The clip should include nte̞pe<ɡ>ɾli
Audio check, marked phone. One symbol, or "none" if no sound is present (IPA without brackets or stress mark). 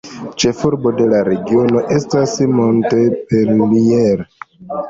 none